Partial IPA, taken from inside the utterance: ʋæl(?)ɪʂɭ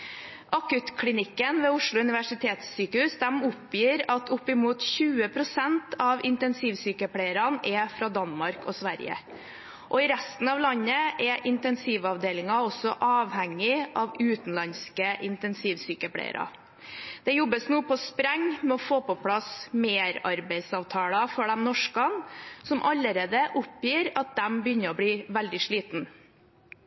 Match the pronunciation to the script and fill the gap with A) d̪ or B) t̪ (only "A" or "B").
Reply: A